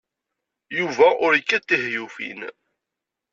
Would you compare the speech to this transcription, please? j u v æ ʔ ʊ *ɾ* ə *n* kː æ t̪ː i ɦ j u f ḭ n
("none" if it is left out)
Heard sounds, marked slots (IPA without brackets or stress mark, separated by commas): ɾ, none